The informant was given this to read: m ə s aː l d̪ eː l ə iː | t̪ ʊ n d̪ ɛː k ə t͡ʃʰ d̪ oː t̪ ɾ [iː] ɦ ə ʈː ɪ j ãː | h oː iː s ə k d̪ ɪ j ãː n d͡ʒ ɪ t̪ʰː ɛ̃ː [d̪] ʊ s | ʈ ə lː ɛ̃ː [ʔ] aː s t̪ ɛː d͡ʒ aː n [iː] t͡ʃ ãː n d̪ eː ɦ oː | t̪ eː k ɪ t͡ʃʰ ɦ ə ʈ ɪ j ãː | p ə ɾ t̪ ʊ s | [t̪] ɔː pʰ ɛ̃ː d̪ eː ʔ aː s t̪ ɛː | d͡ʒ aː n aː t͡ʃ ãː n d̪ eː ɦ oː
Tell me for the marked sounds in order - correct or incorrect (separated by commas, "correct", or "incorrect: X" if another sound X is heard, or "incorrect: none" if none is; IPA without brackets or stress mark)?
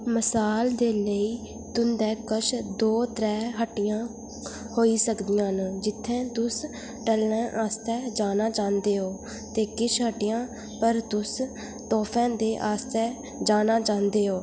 incorrect: ɛː, incorrect: t̪, correct, incorrect: aː, correct